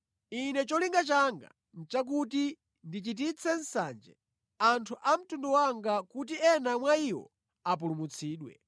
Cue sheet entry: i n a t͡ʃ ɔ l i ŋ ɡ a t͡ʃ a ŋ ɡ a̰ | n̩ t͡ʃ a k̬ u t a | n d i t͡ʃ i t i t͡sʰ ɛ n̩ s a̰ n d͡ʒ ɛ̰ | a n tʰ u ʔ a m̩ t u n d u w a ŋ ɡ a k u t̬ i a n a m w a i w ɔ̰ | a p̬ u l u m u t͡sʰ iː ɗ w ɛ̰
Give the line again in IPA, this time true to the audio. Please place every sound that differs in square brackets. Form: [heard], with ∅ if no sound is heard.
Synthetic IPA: i n [ɛ] t͡ʃ ɔ l i ŋ ɡ a t͡ʃ a ŋ ɡ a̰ | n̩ t͡ʃ a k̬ u t [i] | n d i t͡ʃ i t i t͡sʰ ɛ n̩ s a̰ n d͡ʒ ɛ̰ | a n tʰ u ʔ a m̩ t u n d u w a ŋ ɡ a k u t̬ i [ɛ] n a m w a i w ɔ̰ | a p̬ u l u m u t͡sʰ iː ɗ w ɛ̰